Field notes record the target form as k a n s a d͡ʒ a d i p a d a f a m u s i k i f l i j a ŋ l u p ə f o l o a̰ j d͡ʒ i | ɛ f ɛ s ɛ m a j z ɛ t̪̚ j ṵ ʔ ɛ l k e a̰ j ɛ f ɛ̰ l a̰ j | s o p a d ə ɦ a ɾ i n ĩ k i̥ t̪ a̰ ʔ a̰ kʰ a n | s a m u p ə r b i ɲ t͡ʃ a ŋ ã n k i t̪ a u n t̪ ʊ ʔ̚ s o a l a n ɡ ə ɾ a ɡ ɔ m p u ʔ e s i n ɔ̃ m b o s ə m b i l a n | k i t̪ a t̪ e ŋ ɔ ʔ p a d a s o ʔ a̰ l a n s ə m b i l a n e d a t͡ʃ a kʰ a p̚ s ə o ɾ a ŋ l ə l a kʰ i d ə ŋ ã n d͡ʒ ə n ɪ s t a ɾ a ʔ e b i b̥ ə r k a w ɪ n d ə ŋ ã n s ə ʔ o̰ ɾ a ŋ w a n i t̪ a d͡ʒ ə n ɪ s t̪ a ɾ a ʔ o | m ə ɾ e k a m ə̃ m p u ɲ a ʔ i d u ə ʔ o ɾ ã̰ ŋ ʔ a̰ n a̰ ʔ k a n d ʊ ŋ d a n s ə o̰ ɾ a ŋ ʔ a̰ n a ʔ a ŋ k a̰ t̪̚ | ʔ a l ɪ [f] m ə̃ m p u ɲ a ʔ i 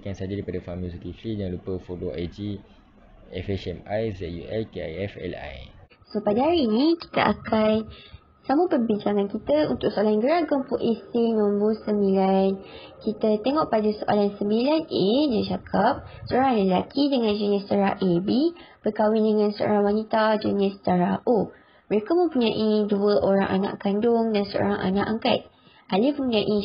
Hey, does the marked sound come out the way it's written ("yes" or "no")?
yes